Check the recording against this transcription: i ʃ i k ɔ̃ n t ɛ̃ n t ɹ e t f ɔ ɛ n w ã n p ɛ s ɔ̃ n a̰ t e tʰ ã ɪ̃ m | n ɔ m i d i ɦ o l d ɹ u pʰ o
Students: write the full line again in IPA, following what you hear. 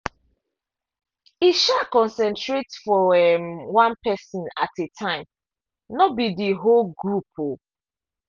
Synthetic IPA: i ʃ a k ɔ̃ n s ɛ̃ n t ɹ e t f ɔ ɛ m w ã n p ɛ s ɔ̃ n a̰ t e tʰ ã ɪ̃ m | n ɔ b i d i ɦ o l ɡ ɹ u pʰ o